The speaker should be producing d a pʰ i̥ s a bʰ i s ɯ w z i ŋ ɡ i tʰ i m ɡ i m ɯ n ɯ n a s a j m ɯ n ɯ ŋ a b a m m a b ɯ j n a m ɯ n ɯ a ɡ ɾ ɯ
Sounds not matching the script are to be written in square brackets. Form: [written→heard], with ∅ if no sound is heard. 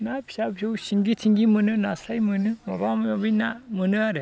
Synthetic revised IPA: [d→n] a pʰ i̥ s a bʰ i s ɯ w [z→s] i ŋ ɡ i tʰ i [m→ŋ] ɡ i m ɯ n ɯ n a s a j m ɯ n ɯ [ŋ→m] a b a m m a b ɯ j n a m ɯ n ɯ a [ɡ→∅] ɾ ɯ